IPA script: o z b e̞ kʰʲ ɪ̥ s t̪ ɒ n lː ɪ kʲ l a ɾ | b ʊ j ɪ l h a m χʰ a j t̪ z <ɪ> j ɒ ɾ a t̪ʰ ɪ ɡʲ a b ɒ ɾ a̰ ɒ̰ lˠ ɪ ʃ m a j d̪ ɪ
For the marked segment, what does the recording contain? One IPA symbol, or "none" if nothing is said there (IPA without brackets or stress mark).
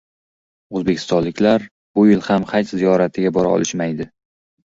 i